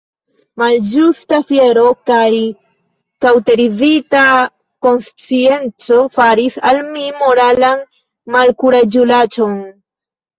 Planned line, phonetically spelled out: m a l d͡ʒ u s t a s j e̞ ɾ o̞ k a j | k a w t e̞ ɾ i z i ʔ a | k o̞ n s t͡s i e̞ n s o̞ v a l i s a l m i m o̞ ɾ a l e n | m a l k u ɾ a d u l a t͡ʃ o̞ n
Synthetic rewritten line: m a l d͡ʒ u s t a f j e̞ ɾ o̞ k a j | k a w t e̞ ɾ i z i t a | k o̞ n s t͡s i e̞ n t͡s o̞ f a ɾ i s a l m i m o̞ ɾ a l a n | m a l k u ɾ a d͡ʒ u l a t͡ʃ o̞ n